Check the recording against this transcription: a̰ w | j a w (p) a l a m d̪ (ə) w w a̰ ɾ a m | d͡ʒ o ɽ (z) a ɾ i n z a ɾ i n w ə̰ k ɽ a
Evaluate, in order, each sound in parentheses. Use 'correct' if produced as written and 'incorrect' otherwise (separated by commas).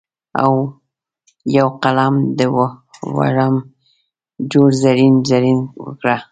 incorrect, correct, correct